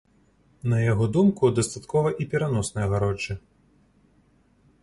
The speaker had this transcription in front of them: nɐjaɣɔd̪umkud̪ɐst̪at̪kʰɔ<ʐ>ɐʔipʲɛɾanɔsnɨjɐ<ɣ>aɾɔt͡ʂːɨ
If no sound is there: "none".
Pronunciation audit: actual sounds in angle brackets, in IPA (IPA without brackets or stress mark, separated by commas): v, ɣ